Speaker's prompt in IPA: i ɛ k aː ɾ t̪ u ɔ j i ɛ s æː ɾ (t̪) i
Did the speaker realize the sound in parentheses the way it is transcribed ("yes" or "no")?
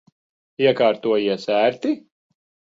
yes